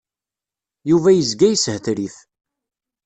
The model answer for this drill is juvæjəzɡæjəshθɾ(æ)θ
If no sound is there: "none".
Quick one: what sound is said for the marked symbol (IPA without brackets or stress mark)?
i